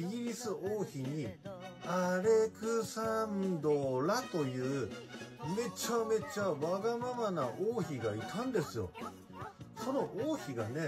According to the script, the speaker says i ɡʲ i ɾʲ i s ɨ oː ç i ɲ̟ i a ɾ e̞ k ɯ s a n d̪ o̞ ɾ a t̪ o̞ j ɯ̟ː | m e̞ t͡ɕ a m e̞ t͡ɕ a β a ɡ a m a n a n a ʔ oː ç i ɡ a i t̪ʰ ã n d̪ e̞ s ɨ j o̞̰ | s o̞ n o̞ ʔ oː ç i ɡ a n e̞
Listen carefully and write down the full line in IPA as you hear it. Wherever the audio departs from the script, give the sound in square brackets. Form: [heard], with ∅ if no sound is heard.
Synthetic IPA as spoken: i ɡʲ i ɾʲ i s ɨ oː ç i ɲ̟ i a ɾ e̞ k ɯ s a n d̪ o̞ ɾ a t̪ o̞ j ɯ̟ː | m e̞ t͡ɕ a m e̞ t͡ɕ a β a ɡ a m a [m] a n a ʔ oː ç i ɡ a i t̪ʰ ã n d̪ e̞ s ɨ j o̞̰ | s o̞ n o̞ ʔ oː ç i ɡ a n e̞